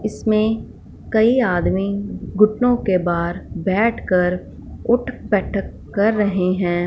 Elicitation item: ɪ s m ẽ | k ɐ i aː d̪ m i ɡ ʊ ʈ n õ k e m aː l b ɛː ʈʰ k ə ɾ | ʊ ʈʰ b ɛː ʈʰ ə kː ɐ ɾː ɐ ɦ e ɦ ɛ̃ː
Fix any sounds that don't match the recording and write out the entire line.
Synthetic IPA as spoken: ɪ s m ẽ | k ɐ i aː d̪ m i ɡ ʊ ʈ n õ k e b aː ɾ b ɛː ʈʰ k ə ɾ | ʊ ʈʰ b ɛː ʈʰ ə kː ɐ ɾː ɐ ɦ e ɦ ɛ̃ː